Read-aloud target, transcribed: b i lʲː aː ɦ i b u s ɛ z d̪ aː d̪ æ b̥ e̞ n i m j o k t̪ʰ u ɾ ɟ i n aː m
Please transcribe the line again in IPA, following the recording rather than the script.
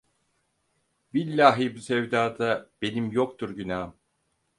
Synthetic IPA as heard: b i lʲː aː ɦ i b u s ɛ v d̪ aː d̪ a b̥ e̞ n i m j o k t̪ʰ u ɾ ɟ y n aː m